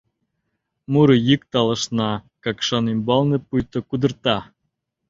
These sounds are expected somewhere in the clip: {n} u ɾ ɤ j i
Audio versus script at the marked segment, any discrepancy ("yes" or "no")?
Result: yes